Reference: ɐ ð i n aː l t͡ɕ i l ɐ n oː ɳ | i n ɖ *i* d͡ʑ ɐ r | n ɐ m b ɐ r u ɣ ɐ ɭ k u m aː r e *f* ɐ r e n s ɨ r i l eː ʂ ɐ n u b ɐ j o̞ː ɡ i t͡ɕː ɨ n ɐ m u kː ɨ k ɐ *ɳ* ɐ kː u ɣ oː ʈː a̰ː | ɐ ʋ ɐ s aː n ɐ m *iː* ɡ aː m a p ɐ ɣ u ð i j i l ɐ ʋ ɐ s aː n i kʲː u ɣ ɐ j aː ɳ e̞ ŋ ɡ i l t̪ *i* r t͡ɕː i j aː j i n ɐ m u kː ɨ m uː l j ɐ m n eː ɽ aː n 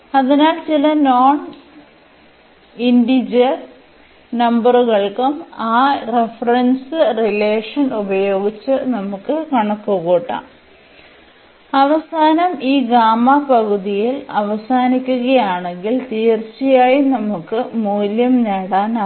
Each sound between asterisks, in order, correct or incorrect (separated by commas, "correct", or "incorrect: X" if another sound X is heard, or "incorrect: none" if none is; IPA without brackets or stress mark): correct, correct, correct, correct, incorrect: iː